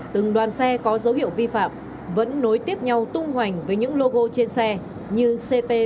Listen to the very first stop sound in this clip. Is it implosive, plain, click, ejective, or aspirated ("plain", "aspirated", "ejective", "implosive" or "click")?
plain